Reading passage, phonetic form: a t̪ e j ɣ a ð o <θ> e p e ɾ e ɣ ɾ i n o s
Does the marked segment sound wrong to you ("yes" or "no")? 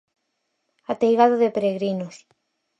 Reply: yes